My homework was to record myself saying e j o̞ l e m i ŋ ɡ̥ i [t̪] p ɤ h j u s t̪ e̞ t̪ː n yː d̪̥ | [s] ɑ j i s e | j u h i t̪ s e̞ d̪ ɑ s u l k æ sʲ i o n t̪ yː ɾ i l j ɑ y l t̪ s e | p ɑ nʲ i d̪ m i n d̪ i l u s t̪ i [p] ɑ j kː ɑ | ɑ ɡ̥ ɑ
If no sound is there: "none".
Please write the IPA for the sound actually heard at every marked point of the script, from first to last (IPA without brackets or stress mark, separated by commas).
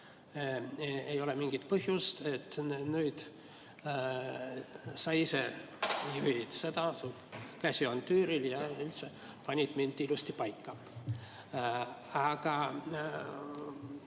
t̪, s, p